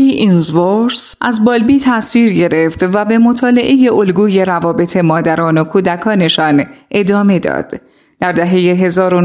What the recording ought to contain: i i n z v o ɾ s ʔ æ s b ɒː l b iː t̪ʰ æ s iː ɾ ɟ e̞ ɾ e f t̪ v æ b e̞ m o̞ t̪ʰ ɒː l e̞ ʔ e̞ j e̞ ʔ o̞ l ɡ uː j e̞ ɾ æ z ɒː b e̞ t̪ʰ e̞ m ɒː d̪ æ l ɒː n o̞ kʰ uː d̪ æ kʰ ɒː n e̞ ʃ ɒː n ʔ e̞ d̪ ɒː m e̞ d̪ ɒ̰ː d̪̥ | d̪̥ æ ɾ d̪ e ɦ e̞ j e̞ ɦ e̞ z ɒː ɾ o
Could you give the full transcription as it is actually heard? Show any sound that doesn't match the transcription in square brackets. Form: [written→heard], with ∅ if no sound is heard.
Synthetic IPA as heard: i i n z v o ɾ s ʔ æ [s→z] b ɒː l b iː t̪ʰ æ s iː ɾ ɟ e̞ ɾ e f t̪ v æ b e̞ m o̞ t̪ʰ ɒː l e̞ ʔ e̞ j e̞ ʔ o̞ l ɡ uː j e̞ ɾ æ [z→v] ɒː b e̞ t̪ʰ e̞ m ɒː d̪ æ [l→ɾ] ɒː n o̞ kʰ uː d̪ æ kʰ ɒː n e̞ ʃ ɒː n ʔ e̞ d̪ ɒː m e̞ d̪ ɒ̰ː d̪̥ | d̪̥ æ ɾ d̪ [e→æ] ɦ e̞ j e̞ ɦ e̞ z ɒː ɾ o